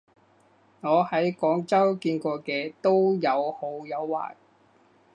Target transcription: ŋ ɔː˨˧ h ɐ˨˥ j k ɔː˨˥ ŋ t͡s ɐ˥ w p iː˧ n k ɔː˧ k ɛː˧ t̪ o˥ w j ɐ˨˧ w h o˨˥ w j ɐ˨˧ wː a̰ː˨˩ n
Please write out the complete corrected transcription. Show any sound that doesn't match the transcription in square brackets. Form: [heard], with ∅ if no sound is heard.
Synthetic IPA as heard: ŋ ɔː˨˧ h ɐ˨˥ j k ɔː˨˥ ŋ t͡s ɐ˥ w [k] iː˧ n k ɔː˧ k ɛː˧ t̪ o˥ w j ɐ˨˧ w h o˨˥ w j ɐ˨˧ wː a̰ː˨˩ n